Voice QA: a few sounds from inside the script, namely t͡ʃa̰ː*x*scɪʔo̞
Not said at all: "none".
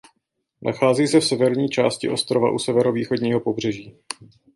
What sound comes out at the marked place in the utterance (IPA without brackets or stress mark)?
none